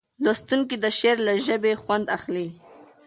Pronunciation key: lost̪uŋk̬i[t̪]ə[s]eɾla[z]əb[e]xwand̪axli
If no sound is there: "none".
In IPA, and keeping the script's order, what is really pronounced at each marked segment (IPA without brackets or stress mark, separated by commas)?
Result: d̪, ʃ, ʒ, e